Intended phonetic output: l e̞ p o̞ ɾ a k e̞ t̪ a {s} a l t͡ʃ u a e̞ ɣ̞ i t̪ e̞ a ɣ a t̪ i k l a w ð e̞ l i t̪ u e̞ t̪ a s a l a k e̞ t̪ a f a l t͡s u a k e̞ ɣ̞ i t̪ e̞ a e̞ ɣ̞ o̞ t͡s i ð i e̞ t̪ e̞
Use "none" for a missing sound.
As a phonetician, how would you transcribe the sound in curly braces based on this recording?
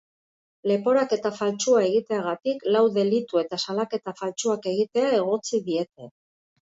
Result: f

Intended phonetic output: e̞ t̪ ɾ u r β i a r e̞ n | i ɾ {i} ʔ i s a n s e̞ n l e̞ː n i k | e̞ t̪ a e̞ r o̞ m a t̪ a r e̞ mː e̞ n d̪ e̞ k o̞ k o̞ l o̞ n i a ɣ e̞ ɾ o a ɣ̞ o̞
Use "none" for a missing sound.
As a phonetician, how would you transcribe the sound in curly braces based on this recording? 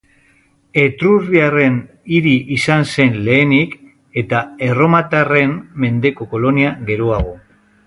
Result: i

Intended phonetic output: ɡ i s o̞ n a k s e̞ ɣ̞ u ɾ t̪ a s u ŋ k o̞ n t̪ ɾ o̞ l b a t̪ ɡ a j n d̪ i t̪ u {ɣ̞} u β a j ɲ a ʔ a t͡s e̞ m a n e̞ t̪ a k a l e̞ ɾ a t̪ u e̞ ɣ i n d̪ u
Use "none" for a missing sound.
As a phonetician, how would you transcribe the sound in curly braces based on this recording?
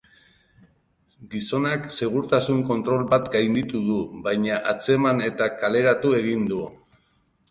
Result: ð̞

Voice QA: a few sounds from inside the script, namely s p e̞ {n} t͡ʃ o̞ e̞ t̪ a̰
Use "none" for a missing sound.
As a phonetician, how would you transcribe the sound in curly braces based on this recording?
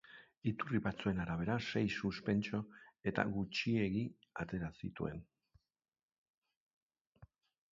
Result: n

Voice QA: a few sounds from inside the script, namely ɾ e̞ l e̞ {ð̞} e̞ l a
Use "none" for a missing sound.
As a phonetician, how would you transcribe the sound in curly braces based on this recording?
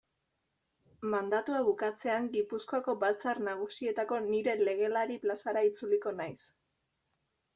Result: ɣ̞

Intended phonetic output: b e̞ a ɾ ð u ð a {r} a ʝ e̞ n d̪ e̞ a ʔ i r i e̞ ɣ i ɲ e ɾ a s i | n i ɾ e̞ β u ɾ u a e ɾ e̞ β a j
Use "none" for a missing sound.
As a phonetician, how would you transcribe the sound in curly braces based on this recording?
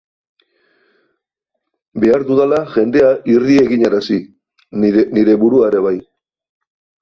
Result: l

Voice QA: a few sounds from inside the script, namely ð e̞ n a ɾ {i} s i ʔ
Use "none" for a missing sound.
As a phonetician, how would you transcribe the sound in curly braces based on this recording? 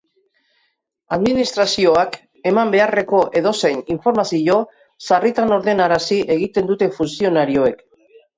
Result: a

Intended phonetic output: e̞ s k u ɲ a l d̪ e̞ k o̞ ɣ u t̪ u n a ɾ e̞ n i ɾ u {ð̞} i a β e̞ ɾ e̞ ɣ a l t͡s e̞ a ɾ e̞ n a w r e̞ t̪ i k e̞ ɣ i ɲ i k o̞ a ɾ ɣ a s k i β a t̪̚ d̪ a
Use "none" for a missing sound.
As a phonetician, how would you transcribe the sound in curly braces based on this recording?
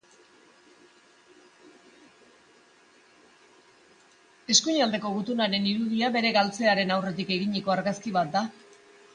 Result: ð̞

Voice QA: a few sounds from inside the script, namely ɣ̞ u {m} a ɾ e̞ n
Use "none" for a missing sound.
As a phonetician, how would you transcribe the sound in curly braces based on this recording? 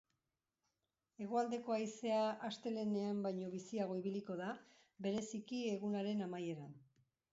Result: n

